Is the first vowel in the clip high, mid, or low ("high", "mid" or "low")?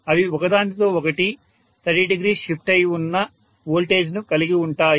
low